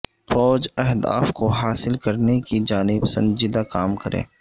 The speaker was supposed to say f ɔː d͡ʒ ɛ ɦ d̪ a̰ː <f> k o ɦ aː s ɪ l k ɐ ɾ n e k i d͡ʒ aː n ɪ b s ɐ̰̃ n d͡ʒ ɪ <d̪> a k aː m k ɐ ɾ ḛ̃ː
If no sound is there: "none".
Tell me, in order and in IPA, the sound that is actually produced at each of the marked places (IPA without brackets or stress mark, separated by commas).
f, d̪